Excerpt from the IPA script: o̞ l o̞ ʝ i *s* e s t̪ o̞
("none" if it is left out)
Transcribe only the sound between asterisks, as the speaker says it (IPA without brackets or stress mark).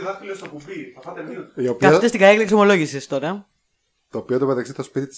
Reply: s